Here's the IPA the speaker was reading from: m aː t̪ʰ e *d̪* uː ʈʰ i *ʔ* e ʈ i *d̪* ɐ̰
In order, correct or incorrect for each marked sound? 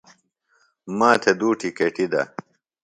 correct, incorrect: k, correct

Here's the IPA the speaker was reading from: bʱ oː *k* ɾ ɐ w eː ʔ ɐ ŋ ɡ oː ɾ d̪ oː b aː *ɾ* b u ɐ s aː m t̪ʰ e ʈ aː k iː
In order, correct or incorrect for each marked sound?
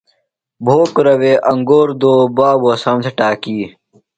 correct, incorrect: none

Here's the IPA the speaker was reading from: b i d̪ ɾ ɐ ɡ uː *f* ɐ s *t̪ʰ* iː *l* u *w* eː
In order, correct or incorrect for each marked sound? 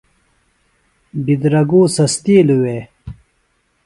incorrect: s, incorrect: t̪, correct, correct

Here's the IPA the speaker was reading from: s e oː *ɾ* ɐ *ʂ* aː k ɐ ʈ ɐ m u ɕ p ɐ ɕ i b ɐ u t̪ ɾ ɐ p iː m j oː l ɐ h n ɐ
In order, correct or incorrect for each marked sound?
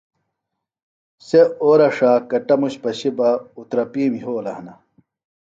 correct, correct

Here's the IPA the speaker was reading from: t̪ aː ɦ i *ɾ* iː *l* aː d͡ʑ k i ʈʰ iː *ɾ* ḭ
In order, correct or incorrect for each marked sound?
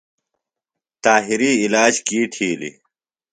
correct, correct, incorrect: l

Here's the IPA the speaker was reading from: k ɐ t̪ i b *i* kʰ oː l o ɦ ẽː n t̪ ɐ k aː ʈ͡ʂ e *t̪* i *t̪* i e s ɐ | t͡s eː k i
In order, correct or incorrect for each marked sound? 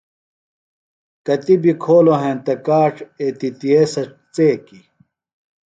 correct, correct, correct

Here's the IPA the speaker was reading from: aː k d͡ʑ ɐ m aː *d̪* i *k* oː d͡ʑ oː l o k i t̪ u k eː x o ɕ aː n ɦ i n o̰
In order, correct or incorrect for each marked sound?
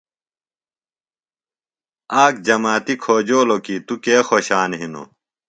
incorrect: t̪, incorrect: kʰ

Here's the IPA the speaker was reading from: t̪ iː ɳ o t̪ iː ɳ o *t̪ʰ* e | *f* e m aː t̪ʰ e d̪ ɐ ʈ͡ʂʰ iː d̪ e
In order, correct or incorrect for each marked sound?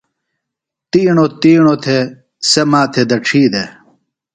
correct, incorrect: s

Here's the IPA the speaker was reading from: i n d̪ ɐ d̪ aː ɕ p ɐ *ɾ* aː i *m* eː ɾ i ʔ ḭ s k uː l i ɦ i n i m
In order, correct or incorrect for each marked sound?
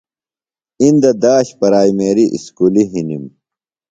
correct, correct

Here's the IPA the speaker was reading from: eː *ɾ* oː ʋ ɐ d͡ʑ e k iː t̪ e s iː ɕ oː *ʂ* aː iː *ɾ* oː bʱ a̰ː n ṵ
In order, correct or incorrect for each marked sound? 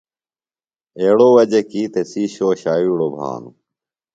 incorrect: ɽ, incorrect: ɕ, incorrect: ɽ

